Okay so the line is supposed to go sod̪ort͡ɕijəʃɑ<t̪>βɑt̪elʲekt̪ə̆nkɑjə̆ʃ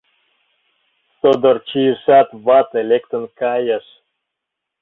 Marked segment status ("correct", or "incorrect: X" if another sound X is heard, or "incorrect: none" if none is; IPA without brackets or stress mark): correct